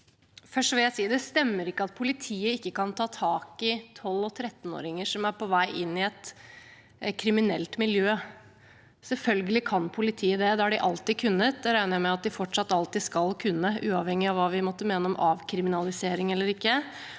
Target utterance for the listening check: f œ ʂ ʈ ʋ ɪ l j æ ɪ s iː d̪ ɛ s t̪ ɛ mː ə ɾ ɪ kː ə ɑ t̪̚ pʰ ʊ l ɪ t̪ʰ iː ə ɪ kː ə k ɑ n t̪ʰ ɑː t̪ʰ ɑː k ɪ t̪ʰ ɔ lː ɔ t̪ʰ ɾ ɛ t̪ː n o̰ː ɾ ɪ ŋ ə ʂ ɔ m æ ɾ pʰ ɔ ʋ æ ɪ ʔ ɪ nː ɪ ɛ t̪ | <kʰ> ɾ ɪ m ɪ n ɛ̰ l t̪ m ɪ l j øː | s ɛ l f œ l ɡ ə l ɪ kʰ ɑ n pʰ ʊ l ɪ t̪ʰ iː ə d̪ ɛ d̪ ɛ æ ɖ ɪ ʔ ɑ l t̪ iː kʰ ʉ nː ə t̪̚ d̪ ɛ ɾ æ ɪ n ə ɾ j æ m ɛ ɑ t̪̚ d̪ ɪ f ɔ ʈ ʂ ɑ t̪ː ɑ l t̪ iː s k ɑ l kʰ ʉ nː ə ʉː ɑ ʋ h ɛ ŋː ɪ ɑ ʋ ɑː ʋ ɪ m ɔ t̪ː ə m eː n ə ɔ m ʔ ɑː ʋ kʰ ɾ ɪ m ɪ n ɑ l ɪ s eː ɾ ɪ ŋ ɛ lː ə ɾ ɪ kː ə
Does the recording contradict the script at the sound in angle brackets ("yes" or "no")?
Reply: no